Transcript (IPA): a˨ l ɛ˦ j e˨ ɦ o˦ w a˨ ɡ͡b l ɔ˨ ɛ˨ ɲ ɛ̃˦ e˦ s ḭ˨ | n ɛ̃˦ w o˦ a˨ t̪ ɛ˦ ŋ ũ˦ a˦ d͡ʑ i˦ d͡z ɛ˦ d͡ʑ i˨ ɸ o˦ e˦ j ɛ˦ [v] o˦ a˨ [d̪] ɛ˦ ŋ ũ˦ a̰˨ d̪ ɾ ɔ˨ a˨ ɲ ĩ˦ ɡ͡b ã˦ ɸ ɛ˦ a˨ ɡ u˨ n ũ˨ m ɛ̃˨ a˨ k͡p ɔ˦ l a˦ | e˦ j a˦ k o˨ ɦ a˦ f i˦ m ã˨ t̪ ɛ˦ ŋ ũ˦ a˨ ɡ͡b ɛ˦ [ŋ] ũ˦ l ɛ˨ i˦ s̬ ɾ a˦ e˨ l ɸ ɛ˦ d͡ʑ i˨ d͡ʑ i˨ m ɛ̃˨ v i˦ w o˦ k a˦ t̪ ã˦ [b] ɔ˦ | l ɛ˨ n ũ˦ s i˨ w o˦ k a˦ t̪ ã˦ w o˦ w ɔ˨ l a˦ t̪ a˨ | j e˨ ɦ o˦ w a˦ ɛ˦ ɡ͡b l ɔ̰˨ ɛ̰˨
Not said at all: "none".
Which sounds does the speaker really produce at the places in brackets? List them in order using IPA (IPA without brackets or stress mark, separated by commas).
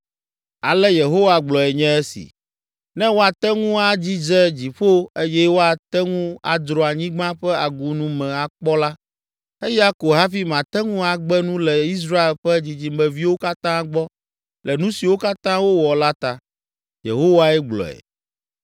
w, t̪, n, ɡ͡b